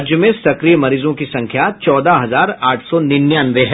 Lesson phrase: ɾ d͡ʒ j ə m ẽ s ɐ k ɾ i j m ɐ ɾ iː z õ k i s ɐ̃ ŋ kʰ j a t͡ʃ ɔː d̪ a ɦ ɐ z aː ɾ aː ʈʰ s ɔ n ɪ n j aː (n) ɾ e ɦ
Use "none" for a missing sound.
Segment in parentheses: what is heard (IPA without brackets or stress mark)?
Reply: n